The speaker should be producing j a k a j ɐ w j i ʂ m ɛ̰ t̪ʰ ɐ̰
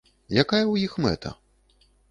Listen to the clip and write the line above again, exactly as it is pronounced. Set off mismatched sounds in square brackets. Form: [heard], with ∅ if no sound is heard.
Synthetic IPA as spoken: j a k a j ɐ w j i [x] m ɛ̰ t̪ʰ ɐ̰